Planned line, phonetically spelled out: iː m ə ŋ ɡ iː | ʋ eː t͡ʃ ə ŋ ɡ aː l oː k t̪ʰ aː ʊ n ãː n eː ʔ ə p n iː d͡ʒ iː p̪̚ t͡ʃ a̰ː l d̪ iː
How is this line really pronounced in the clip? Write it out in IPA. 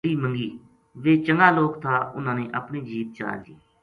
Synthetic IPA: iː m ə ŋ ɡ iː | ʋ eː t͡ʃ ə ŋ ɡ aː l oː k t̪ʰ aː ʊ n ãː n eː ʔ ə p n iː d͡ʒ iː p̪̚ t͡ʃ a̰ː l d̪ iː